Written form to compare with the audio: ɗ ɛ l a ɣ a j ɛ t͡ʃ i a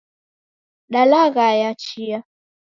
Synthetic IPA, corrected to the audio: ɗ a l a ɣ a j a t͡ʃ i a